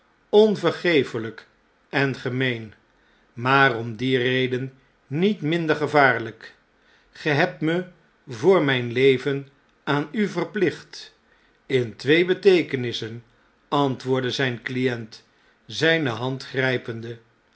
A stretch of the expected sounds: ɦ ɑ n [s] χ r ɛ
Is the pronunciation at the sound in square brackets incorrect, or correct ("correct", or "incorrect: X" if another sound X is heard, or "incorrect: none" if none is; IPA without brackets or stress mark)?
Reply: incorrect: t